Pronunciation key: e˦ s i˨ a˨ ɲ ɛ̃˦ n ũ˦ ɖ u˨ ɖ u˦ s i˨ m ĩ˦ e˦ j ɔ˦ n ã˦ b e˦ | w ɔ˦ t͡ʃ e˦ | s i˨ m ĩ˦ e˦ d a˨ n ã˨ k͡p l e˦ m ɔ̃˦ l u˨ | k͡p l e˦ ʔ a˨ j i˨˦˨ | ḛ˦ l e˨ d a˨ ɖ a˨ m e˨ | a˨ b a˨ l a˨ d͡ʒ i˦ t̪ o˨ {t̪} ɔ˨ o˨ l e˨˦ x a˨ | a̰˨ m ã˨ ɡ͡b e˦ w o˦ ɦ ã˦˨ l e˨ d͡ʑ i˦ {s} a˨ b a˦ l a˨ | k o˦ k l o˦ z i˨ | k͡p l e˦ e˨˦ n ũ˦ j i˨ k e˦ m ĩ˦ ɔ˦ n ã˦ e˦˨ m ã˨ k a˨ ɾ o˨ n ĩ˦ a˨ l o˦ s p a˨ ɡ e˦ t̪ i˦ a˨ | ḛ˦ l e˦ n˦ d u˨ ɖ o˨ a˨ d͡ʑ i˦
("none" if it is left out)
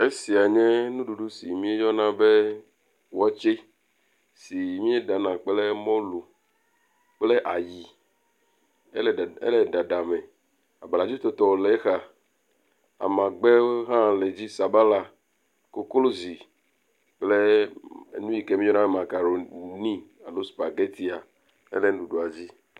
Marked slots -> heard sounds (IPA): t̪, s

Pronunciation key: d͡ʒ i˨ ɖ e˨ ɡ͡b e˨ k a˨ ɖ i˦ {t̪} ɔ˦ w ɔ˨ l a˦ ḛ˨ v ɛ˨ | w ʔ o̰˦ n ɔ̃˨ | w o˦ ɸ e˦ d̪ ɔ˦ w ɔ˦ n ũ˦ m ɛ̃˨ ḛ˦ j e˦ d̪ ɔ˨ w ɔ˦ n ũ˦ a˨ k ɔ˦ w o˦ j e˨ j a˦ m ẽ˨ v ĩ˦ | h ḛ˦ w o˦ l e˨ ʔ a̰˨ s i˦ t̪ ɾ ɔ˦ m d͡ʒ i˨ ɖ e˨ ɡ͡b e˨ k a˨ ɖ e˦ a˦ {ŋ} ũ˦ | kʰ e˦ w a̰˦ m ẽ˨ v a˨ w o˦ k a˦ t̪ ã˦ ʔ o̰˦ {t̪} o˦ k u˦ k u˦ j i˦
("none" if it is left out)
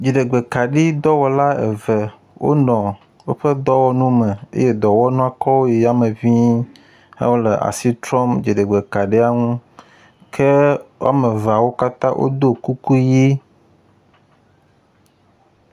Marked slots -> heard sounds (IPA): d̪, ŋ, d̪

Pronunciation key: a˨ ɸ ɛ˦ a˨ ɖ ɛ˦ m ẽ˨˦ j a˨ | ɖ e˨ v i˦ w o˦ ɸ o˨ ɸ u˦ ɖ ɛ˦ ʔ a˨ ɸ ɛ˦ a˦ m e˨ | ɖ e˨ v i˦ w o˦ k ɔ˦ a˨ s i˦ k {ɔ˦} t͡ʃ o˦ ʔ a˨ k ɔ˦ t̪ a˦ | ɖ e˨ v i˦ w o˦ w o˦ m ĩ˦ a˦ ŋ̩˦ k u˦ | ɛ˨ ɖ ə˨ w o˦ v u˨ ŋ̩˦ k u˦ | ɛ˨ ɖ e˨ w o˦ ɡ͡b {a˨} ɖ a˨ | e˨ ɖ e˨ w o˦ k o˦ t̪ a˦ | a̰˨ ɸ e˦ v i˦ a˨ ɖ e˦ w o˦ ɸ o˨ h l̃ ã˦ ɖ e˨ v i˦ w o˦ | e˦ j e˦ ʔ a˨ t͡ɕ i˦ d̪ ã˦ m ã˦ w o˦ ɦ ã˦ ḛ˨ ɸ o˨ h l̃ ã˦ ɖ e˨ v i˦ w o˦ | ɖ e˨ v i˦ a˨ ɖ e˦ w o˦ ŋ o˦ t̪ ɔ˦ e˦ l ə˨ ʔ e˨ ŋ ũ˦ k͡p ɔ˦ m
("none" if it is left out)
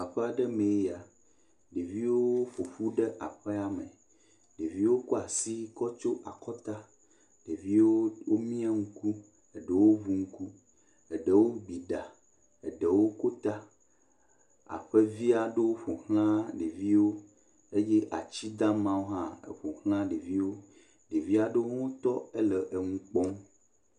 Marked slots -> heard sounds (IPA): ɔ˦, i˨

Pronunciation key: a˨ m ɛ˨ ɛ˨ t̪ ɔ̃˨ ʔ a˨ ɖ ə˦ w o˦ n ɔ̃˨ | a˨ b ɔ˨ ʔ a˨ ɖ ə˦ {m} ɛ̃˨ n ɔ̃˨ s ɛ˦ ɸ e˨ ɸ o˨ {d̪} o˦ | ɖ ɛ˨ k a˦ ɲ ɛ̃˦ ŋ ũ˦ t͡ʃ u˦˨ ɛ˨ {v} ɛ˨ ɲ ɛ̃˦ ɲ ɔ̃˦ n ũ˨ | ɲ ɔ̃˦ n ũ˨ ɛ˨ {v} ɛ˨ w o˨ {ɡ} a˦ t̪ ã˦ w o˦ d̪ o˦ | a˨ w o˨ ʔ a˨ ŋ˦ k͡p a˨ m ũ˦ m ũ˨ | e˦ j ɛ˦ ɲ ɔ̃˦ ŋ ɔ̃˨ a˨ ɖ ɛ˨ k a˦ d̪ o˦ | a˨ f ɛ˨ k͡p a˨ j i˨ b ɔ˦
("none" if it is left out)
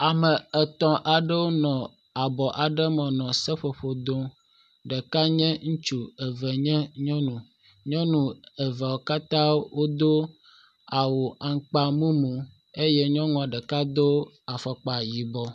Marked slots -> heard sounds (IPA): m, d̪, v, v, k

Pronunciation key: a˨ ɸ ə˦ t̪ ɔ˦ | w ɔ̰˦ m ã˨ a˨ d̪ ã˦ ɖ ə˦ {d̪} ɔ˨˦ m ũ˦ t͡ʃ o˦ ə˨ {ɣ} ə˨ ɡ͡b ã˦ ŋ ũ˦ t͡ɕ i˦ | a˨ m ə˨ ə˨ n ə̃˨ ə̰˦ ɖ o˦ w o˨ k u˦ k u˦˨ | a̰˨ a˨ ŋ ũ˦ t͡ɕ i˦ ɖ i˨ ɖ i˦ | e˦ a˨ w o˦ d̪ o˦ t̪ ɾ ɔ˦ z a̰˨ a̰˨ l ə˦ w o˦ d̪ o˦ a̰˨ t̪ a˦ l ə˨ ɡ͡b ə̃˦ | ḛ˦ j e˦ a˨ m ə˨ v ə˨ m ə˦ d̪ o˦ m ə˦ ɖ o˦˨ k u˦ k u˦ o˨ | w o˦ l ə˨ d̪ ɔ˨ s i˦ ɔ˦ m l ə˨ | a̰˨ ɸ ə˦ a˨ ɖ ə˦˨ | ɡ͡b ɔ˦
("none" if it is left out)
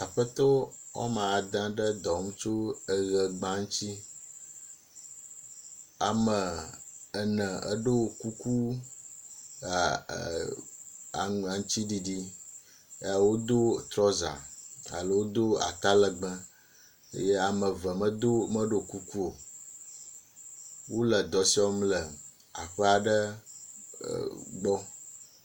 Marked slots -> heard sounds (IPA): d̪, ɣ

